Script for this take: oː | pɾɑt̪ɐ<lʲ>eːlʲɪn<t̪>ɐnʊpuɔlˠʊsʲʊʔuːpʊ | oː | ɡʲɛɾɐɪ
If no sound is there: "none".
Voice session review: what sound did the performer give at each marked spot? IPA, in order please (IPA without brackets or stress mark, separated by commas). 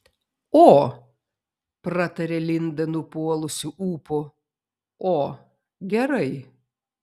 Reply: ɾʲ, d̪